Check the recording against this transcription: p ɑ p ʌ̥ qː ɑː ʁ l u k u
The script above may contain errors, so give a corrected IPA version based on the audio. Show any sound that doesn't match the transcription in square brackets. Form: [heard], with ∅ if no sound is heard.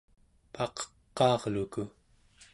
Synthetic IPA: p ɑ [q] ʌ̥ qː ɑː ʁ l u k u